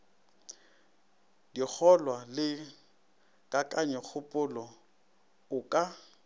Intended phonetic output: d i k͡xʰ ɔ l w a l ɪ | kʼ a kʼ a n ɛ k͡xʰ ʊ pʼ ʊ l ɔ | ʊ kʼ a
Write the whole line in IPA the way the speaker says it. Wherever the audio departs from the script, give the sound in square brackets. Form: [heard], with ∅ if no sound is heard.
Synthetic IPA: d i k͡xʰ ɔ l w a l ɪ | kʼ a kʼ a [ɲ] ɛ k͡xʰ ʊ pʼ ʊ l ɔ | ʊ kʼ a